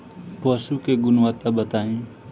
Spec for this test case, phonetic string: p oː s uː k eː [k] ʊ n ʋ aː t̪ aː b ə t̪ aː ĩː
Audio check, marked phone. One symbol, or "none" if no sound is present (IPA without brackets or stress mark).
ɡ